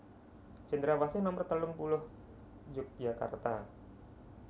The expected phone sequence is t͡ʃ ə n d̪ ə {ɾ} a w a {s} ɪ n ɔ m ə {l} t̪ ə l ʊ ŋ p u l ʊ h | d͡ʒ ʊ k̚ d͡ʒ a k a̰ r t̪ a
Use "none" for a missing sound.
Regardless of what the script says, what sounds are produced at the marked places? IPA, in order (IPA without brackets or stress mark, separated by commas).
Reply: ɾ, s, r